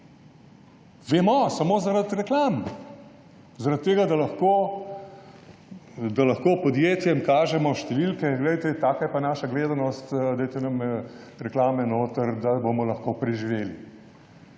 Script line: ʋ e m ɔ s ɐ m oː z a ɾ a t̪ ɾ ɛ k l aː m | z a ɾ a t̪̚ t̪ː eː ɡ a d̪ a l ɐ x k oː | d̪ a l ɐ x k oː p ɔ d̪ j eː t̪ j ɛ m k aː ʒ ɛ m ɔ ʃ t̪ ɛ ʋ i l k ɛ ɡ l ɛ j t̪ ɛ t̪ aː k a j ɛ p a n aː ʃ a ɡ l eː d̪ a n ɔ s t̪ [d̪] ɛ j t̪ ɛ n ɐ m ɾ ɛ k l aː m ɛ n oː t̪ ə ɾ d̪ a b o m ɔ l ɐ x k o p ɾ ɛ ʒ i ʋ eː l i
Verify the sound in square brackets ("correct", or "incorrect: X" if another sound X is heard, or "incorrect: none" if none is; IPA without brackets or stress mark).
correct